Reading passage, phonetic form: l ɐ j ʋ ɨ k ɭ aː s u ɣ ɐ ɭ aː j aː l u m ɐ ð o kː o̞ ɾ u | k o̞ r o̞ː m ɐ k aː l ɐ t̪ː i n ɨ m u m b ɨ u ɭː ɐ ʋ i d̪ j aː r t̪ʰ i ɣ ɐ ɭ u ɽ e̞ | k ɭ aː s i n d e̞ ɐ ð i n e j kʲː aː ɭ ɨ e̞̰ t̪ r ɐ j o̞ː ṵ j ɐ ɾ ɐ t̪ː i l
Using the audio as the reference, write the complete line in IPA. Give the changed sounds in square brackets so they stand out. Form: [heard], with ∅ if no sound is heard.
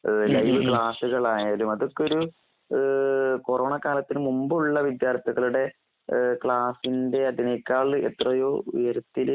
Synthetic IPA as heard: l ɐ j ʋ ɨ k ɭ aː s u ɣ ɐ ɭ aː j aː l u m ɐ ð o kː o̞ ɾ u | k o̞ r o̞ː [ɳ] ɐ k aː l ɐ t̪ː i n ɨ m u m b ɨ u ɭː ɐ ʋ i d̪ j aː r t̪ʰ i ɣ ɐ ɭ u ɽ e̞ | k ɭ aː s i n d e̞ ɐ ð i n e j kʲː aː ɭ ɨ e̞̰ t̪ r ɐ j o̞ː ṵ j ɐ ɾ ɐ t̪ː i l